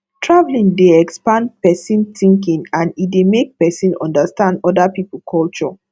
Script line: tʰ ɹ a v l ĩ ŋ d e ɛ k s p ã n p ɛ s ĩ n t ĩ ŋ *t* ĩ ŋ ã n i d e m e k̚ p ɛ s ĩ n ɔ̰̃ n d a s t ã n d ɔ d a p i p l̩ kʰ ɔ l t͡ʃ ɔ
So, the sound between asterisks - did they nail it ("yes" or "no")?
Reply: no